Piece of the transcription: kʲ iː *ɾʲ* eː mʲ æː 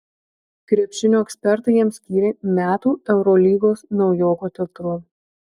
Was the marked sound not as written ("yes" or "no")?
no